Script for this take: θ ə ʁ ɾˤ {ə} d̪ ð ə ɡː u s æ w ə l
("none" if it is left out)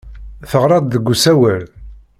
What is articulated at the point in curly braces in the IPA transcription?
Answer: ɑ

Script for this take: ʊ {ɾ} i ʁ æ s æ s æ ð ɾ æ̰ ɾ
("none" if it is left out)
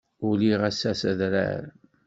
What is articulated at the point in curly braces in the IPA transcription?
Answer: l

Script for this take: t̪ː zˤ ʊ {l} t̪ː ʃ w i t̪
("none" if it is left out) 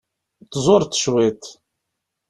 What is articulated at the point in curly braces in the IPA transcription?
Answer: ɾ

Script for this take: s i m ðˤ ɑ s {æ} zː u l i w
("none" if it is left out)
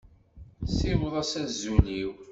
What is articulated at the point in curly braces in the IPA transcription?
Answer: æ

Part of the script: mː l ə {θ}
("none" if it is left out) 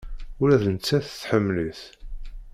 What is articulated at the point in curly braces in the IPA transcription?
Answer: θ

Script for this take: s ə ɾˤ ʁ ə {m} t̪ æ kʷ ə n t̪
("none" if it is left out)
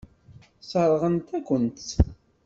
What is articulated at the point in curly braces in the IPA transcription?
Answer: n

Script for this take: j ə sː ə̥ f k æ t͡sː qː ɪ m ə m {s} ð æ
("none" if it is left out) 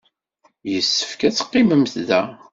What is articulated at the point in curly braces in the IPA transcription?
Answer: θ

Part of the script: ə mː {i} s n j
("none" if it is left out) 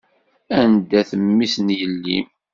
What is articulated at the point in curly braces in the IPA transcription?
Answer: i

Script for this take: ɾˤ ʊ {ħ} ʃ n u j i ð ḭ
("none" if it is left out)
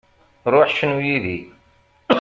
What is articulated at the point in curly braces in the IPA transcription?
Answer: ħ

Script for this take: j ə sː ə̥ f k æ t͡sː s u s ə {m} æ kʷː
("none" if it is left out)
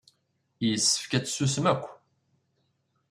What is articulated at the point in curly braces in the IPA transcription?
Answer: m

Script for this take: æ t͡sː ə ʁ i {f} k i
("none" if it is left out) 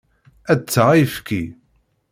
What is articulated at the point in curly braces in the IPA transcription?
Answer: f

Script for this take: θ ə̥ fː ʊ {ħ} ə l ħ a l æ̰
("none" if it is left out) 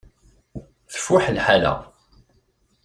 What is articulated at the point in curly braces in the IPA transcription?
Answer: ħ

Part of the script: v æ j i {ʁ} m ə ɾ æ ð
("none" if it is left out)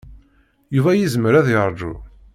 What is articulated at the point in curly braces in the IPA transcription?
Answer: z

